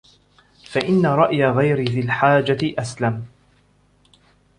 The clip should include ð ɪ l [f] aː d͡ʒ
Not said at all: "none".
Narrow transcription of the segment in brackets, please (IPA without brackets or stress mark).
ħ